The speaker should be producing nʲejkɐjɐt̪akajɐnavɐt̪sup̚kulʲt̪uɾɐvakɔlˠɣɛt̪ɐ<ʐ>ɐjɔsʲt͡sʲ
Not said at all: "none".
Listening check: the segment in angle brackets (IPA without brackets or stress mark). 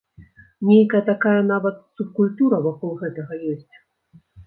ɣ